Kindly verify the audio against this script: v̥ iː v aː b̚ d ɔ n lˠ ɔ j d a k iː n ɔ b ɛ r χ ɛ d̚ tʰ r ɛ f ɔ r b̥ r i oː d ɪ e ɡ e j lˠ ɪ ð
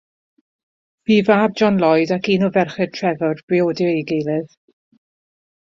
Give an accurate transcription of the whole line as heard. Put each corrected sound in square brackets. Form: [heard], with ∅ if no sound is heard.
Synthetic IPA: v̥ iː v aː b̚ [d͡ʒ] ɔ n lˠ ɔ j d a k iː n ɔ [v] ɛ r χ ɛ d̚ tʰ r ɛ [v] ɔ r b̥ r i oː d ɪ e ɡ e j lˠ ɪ ð